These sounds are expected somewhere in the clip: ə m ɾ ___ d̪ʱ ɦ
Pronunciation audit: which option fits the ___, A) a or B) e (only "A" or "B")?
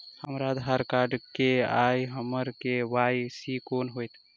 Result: A